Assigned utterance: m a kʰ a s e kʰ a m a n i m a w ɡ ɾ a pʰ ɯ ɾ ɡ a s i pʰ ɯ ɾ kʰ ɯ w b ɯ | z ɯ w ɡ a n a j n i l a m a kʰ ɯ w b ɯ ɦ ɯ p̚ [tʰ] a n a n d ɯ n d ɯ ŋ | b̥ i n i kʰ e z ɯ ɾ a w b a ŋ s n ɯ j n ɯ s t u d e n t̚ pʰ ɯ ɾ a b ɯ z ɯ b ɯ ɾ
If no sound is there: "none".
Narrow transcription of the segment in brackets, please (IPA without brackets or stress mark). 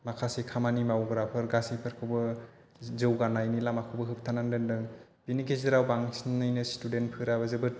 tʰ